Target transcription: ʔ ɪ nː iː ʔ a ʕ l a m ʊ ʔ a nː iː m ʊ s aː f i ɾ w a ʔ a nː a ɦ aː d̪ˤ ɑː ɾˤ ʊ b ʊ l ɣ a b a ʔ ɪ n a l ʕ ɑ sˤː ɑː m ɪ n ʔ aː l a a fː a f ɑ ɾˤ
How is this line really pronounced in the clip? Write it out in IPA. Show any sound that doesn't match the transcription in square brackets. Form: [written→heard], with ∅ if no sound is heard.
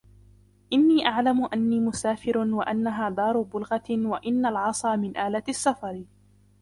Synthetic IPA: ʔ ɪ nː iː ʔ a ʕ l a m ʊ ʔ a nː iː m ʊ s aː f [i→ɪ] ɾ w a ʔ a nː a ɦ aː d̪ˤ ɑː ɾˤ ʊ b ʊ l ɣ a [b→w] a ʔ ɪ [n→nː] a l ʕ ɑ [sˤː→sˤ] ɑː m ɪ n ʔ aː l a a [fː→sː] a f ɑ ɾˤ